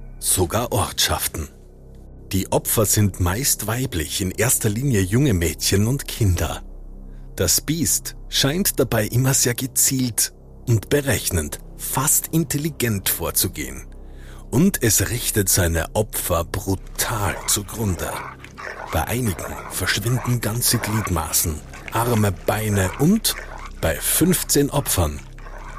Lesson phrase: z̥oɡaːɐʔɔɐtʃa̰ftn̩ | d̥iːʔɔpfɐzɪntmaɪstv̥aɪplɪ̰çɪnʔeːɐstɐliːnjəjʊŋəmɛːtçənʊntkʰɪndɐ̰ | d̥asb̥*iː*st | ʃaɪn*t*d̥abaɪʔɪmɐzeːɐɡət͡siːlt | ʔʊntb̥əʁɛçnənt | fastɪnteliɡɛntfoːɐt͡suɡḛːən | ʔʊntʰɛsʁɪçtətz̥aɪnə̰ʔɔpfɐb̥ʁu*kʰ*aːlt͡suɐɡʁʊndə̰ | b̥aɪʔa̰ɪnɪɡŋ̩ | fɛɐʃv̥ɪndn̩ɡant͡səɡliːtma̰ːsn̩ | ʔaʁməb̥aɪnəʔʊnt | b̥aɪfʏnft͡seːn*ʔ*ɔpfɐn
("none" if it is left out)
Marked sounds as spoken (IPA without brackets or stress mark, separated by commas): iː, t, tʰ, ʔ